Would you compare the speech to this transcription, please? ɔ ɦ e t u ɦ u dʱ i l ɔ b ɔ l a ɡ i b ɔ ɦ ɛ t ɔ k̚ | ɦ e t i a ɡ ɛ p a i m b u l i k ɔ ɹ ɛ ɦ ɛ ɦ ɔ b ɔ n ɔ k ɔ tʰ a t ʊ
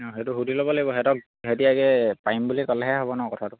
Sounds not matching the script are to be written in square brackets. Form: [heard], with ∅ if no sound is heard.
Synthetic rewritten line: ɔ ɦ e t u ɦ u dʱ i l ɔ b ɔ l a ɡ i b ɔ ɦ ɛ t ɔ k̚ | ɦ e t i a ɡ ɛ p a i m b u l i k ɔ [l] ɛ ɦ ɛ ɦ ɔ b ɔ n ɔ k ɔ tʰ a t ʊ

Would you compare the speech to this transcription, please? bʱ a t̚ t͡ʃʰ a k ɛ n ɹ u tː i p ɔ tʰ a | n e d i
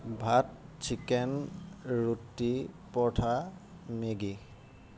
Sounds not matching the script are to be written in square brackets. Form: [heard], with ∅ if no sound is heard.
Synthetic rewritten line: bʱ a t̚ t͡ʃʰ [i] k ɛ n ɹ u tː i p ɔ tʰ a | [m] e [ɡ] i

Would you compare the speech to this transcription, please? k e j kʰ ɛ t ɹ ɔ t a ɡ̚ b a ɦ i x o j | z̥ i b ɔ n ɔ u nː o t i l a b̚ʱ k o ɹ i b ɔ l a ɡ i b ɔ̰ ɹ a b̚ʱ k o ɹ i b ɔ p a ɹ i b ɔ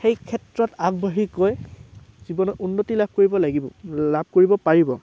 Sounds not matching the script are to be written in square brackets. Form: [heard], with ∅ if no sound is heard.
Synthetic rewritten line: [x] e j kʰ ɛ t ɹ ɔ t a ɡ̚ b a ɦ i [k] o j | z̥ i b ɔ n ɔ u nː o t i l a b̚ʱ k o ɹ i b ɔ l a ɡ i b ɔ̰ [l] a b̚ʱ k o ɹ i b ɔ p a ɹ i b ɔ

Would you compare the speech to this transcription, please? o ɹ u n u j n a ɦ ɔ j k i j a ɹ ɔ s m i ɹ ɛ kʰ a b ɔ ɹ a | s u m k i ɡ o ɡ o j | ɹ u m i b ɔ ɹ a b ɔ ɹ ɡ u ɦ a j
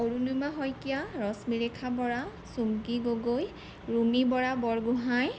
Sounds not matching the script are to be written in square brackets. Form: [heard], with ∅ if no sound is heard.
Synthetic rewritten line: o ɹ u n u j [m] a ɦ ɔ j k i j a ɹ ɔ s m i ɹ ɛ kʰ a b ɔ ɹ a | s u m k i ɡ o ɡ o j | ɹ u m i b ɔ ɹ a b ɔ ɹ ɡ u ɦ a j

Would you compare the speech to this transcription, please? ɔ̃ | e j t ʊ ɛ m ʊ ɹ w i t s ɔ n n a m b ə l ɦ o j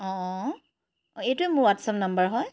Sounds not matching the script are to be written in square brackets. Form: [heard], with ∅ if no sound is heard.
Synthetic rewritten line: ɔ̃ | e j t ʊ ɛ m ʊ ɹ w [a] t s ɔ [m] n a m b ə [ɹ] ɦ [ɔ] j

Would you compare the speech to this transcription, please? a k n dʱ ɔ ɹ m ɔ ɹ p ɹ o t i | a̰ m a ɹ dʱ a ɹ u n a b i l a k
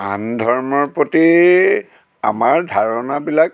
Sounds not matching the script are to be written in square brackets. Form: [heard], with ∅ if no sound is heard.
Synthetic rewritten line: a [∅] n dʱ ɔ ɹ m ɔ ɹ p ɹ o t i | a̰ m a ɹ dʱ a ɹ [ɔ] n a b i l a k

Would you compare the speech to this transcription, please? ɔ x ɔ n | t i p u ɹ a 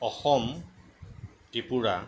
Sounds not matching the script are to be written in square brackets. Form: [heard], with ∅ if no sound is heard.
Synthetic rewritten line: ɔ x ɔ [m] | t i p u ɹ a

